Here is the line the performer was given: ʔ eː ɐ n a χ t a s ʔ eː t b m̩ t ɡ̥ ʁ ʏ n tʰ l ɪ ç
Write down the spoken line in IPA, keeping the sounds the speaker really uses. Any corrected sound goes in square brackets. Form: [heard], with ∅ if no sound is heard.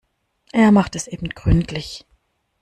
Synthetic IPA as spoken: ʔ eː ɐ [m] a χ t [ɛ] s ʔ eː [∅] b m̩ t ɡ̥ ʁ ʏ n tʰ l ɪ ç